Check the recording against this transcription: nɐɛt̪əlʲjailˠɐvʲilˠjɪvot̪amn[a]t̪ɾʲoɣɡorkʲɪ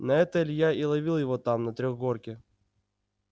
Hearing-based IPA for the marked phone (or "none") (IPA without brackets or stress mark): ɐ